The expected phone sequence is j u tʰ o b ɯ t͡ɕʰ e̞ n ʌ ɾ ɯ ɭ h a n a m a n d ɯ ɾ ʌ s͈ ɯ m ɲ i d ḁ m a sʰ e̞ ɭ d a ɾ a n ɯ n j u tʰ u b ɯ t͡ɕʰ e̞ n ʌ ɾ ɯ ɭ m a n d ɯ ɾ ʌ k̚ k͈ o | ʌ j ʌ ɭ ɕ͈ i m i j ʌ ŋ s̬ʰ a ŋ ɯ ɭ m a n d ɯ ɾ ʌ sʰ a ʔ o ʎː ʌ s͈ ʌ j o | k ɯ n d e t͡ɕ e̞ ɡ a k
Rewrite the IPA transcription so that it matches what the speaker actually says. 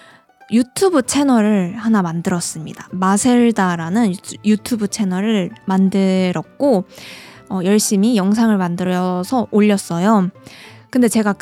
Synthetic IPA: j u tʰ u b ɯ t͡ɕʰ e̞ n ʌ ɾ ɯ ɭ h a n a m a n d ɯ ɾ ʌ s͈ ɯ m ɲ i d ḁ m a sʰ e̞ ɭ d a ɾ a n ɯ n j u tʰ u b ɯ t͡ɕʰ e̞ n ʌ ɾ ɯ ɭ m a n d ɯ ɾ ʌ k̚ k͈ o | ʌ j ʌ ɭ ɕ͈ i m i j ʌ ŋ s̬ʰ a ŋ ɯ ɭ m a n d ɯ ɾ ʌ sʰ ʌ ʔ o ʎː ʌ s͈ ʌ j o | k ɯ n d e t͡ɕ e̞ ɡ a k